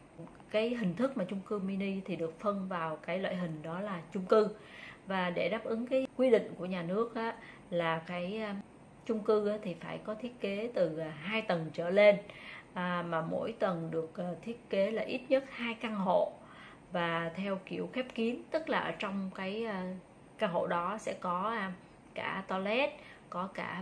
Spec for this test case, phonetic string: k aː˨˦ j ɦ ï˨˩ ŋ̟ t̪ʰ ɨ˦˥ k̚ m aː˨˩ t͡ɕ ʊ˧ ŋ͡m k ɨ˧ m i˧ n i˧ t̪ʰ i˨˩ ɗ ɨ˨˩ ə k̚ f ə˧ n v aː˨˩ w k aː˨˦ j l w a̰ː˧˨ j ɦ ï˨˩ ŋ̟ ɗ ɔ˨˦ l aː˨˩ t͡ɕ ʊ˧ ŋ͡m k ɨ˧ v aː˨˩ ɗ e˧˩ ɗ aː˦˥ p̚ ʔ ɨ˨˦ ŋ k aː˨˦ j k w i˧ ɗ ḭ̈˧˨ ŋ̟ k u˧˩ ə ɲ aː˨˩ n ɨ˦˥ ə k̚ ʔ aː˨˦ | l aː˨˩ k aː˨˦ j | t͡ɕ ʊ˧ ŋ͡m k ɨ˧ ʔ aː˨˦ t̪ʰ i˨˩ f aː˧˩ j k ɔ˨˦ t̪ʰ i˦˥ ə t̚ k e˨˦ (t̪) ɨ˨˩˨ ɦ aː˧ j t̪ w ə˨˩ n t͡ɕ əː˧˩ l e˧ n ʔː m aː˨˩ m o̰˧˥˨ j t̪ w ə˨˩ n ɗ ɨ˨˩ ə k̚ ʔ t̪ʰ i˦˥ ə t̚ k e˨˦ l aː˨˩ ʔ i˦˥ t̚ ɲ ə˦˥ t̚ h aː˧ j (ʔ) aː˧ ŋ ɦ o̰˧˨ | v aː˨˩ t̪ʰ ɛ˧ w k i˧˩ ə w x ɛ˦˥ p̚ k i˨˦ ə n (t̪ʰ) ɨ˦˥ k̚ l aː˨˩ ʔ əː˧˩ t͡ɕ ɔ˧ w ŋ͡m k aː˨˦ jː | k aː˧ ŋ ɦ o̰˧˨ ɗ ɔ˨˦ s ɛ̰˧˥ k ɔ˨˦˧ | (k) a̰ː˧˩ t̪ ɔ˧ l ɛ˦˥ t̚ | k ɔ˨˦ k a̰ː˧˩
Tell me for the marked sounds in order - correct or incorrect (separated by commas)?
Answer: correct, incorrect, incorrect, correct